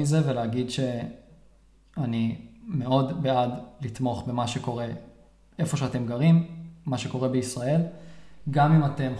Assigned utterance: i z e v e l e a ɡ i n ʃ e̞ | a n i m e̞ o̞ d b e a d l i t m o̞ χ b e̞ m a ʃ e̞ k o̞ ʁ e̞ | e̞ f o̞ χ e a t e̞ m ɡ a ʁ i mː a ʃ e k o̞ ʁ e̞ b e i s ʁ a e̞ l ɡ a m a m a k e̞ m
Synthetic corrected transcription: i z e v e l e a ɡ i d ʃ e̞ | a n i m e̞ o̞ d b e a d l i t m o̞ χ b e̞ m a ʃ e̞ k o̞ ʁ e̞ | e̞ f o̞ ʃ e a t e̞ m ɡ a ʁ i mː a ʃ e k o̞ ʁ e̞ b e i s ʁ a e̞ l ɡ a m i m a t e̞ m